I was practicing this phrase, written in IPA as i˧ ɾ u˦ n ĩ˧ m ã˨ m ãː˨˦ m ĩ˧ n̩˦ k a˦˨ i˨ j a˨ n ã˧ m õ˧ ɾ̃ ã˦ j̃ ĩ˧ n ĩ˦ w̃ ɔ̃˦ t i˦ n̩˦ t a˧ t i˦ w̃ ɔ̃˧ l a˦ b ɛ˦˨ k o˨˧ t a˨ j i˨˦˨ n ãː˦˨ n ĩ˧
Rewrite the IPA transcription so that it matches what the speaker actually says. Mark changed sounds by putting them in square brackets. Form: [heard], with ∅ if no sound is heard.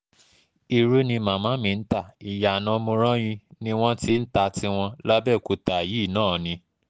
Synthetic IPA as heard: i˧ ɾ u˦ n ĩ˧ m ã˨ m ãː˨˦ m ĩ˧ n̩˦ [t] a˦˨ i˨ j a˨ n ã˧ m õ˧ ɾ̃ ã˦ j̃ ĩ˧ n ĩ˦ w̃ ɔ̃˦ t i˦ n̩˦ t a˧ t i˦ w̃ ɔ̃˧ l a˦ b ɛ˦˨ k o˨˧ t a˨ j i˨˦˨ n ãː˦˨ n ĩ˧